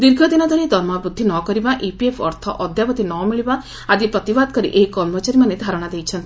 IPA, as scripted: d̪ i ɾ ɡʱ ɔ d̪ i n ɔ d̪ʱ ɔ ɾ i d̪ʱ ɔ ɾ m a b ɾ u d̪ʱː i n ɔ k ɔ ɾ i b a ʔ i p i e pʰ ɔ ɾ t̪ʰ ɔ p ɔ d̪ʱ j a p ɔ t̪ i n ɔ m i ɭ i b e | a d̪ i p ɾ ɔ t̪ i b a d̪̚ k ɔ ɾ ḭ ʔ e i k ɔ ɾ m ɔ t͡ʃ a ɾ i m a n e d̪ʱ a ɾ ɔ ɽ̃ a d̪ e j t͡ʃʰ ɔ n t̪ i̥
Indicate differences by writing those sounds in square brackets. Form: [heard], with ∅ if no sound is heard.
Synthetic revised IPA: d̪ i ɾ ɡʱ ɔ d̪ i n ɔ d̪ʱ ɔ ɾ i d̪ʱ ɔ ɾ m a b ɾ u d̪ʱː i n ɔ k ɔ ɾ i b a ʔ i p i e pʰ ɔ ɾ t̪ʰ ɔ [ʔ] ɔ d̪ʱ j a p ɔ t̪ i n ɔ m i ɭ i b [a] | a d̪ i p ɾ ɔ t̪ i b a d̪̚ k ɔ ɾ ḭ ʔ e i k ɔ ɾ m ɔ t͡ʃ a ɾ i m a n e d̪ʱ a ɾ ɔ ɽ̃ a d̪ e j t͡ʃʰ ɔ n t̪ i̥